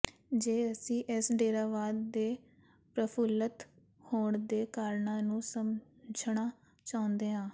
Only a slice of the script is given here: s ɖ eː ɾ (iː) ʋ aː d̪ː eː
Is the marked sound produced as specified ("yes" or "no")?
no